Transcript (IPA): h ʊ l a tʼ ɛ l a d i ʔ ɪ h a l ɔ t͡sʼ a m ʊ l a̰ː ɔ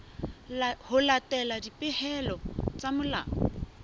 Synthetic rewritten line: h ʊ l a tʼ ɛ l a d i p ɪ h ɛ l ɔ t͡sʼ a m ʊ l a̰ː ɔ